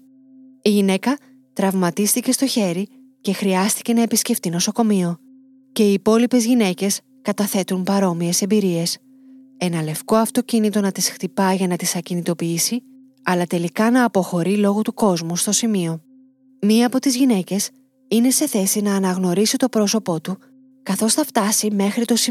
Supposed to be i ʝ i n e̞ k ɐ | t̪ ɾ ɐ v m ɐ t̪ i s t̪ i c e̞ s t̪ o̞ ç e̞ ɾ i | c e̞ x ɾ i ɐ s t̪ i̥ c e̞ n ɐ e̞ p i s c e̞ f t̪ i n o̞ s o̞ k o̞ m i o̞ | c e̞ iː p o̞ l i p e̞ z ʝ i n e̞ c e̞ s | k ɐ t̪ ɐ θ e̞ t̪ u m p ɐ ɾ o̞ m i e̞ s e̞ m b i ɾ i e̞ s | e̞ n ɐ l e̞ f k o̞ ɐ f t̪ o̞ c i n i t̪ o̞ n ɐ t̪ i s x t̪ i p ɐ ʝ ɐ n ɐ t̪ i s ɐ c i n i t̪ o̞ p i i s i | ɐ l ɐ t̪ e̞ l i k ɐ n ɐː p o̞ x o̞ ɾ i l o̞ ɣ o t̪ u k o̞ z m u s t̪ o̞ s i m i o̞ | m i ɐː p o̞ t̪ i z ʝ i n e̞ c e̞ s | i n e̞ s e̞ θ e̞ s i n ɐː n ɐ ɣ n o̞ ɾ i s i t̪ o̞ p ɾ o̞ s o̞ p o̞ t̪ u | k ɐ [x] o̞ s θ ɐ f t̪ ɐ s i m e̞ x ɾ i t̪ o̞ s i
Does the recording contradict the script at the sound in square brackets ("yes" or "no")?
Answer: yes